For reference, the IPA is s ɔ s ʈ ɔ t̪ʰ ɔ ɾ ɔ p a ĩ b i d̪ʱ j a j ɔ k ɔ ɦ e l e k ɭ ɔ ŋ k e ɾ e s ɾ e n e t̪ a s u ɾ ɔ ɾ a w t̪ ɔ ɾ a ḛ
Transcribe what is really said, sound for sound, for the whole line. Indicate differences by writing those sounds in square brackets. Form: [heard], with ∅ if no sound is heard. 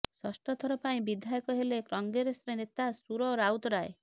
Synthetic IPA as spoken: s ɔ s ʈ ɔ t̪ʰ ɔ ɾ ɔ p a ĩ b i d̪ʱ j a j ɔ k ɔ ɦ e l e k [ɾ] ɔ ŋ [ɡ] e ɾ e s ɾ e n e t̪ a s u ɾ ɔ ɾ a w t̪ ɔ ɾ a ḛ

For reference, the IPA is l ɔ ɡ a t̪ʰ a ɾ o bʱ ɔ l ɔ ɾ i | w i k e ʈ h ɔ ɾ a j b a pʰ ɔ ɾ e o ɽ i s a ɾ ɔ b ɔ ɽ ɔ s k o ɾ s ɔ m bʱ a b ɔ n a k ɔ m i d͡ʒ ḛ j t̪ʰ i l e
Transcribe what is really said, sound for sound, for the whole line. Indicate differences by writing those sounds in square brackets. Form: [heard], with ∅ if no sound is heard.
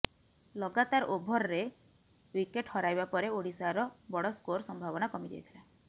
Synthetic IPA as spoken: l ɔ ɡ a [t̪] a ɾ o bʱ ɔ [ɾ] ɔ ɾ [e] | w i k e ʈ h ɔ ɾ a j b a [p] ɔ ɾ e o ɽ i s a ɾ ɔ b ɔ ɽ ɔ s k o ɾ s ɔ m bʱ a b ɔ n a k ɔ m i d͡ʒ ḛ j t̪ʰ i l [a]

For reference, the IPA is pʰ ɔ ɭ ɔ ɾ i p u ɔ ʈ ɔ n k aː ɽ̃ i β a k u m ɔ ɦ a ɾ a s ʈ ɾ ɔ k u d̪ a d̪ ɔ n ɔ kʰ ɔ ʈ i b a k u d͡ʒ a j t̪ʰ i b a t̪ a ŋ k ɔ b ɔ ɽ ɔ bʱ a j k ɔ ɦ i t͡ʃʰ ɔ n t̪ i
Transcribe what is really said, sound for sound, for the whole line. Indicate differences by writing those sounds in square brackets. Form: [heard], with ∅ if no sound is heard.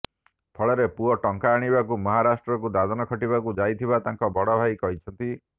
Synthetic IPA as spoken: pʰ ɔ ɭ ɔ ɾ [e] p u ɔ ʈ ɔ [ŋ] k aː ɽ̃ i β a k u m ɔ ɦ a ɾ a s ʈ ɾ ɔ k u d̪ a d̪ ɔ n ɔ kʰ ɔ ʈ i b a k u d͡ʒ a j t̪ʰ i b a t̪ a ŋ k ɔ b ɔ ɽ ɔ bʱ a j k ɔ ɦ i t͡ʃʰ ɔ n t̪ i

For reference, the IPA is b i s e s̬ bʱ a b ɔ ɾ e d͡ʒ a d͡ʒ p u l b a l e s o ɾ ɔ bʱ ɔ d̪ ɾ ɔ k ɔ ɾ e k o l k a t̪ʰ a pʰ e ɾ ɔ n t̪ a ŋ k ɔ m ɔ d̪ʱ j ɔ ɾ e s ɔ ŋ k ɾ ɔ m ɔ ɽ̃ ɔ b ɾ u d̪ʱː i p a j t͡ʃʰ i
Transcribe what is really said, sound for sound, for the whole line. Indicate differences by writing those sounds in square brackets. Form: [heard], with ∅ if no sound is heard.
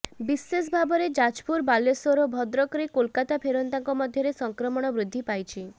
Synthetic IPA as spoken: b i s e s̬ bʱ a b ɔ ɾ e d͡ʒ a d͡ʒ p u [ɾ] b a l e s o ɾ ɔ bʱ ɔ d̪ ɾ ɔ k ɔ ɾ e k o l k a [t̪] a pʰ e ɾ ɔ n t̪ a ŋ k ɔ m ɔ d̪ʱ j ɔ ɾ e s ɔ ŋ k ɾ ɔ m ɔ ɽ̃ ɔ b ɾ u d̪ʱː i p a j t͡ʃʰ i

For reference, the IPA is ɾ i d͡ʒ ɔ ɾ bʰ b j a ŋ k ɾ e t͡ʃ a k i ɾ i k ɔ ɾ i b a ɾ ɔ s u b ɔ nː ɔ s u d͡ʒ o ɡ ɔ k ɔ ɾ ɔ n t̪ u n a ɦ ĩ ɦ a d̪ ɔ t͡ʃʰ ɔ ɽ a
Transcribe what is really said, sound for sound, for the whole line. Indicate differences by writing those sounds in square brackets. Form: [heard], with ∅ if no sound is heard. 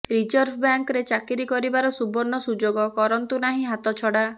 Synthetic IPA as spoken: ɾ i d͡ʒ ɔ ɾ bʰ b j a ŋ k ɾ e t͡ʃ a k i ɾ i k ɔ ɾ i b a ɾ ɔ s u b ɔ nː ɔ s u d͡ʒ o ɡ ɔ k ɔ ɾ ɔ n t̪ u n a ɦ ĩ ɦ a [t̪] ɔ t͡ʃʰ ɔ ɽ a

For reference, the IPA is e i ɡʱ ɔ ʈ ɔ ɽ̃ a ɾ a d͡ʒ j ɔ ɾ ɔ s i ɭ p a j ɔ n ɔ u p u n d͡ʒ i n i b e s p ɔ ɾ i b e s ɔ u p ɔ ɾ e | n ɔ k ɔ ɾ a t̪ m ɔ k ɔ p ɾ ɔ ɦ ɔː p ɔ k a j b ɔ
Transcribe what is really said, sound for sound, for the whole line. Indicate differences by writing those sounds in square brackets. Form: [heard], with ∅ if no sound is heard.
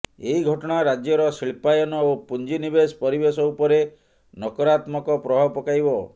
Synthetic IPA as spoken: e i ɡʱ ɔ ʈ ɔ ɽ̃ a ɾ a d͡ʒ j ɔ ɾ ɔ s i ɭ p a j ɔ n ɔ [o] p u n d͡ʒ i n i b e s p ɔ ɾ i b e s ɔ u p ɔ ɾ e | n ɔ k ɔ ɾ a t̪ m ɔ k ɔ p ɾ ɔ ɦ [ɔ] p ɔ k a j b ɔ

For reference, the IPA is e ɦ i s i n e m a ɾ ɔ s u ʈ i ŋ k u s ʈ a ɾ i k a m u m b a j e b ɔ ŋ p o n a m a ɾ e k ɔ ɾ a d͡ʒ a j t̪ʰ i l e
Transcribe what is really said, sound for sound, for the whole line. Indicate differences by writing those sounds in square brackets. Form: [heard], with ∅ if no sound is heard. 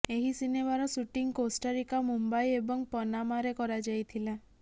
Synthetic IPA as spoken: e ɦ i s i n e m a ɾ ɔ s u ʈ i ŋ k [o] s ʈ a ɾ i k a m u m b a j e b ɔ ŋ p [ɔ] n a m a ɾ e k ɔ ɾ a d͡ʒ a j t̪ʰ i l [a]

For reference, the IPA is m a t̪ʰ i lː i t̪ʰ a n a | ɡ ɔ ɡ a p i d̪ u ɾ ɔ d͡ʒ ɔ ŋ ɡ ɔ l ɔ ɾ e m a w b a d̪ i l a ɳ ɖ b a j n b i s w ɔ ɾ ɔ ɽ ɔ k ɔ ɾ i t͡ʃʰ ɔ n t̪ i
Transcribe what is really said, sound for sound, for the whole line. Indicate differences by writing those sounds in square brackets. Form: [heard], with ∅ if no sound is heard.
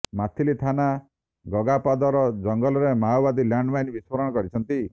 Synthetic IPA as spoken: m a t̪ʰ i [l] i t̪ʰ a n a | ɡ ɔ ɡ a p [a] d̪ [ɔ] ɾ ɔ d͡ʒ ɔ ŋ ɡ ɔ l ɔ ɾ e m a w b a d̪ i l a ɳ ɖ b a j n b i s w ɔ ɾ ɔ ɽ ɔ k ɔ ɾ i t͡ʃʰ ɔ n t̪ i

